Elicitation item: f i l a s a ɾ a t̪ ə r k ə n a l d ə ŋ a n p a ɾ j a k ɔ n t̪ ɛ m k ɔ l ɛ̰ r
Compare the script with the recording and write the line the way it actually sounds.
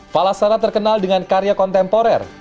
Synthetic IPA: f a l a s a ɾ a t̪ ə r k ə n a l d ə ŋ a n k a ɾ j a k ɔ n t̪ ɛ m p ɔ ɾ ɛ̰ r